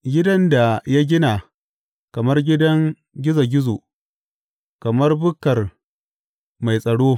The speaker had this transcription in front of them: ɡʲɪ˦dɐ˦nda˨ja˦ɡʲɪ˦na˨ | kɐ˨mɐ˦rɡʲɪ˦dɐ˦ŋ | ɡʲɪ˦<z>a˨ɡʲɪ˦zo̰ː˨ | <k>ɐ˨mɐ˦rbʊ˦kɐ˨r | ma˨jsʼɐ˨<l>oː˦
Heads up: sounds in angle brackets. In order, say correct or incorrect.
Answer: correct, correct, incorrect: ɽ

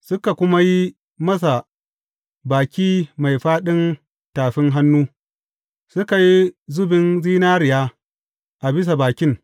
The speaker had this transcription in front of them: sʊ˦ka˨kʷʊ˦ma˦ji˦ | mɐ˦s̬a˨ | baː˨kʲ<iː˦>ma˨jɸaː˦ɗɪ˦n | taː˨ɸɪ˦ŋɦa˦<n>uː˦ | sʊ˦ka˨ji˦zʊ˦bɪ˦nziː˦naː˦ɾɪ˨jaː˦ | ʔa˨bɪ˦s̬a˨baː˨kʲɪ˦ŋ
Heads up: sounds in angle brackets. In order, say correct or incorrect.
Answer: correct, incorrect: nː

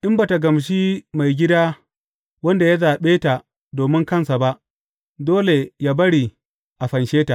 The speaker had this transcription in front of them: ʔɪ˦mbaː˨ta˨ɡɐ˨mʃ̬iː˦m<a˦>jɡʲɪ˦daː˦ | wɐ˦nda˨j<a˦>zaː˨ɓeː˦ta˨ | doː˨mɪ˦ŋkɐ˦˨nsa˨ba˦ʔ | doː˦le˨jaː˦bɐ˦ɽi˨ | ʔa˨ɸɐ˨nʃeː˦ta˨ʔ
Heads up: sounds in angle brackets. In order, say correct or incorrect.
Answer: incorrect: a˨, correct

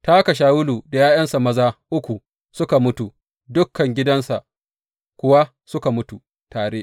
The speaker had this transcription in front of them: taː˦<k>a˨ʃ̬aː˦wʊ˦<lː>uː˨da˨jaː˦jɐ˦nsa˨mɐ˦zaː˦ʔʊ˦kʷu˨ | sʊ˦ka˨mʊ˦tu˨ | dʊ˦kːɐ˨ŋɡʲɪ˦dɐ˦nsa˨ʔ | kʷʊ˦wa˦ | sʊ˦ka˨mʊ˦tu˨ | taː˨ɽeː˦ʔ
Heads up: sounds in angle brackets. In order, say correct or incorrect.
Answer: correct, incorrect: l

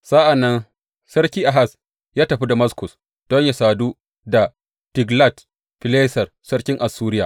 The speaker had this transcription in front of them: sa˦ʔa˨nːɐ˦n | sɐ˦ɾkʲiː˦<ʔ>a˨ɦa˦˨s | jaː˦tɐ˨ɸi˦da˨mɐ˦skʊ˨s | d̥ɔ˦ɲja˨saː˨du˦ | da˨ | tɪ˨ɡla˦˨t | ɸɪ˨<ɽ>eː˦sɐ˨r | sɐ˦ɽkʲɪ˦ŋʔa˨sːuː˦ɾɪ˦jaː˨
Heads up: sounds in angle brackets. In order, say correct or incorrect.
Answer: correct, incorrect: l

